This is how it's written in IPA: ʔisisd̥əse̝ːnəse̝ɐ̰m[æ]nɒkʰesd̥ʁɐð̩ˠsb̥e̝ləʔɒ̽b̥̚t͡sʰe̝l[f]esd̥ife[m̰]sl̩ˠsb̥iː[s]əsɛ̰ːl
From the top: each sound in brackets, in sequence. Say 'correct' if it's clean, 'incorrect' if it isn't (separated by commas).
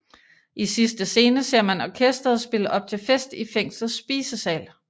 correct, correct, incorrect, correct